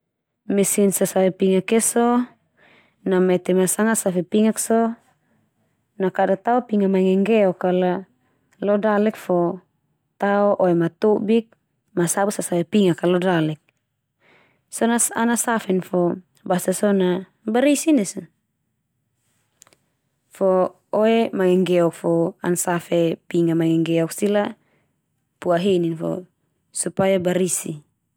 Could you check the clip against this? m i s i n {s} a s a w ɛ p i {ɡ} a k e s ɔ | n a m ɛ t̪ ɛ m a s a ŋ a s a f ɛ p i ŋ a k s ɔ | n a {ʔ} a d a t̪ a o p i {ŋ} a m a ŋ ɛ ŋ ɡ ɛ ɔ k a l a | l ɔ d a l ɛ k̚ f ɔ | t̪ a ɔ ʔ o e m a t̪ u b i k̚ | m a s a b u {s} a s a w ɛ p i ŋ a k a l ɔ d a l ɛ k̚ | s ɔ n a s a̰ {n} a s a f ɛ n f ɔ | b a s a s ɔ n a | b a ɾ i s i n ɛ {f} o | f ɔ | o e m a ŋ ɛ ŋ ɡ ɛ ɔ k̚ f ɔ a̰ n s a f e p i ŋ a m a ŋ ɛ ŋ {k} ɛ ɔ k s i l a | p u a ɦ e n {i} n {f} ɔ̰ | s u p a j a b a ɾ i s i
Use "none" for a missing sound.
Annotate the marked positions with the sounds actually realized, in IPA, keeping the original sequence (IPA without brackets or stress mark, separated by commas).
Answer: s, ŋ, k, ŋ, s, n, s, ɡ, i, f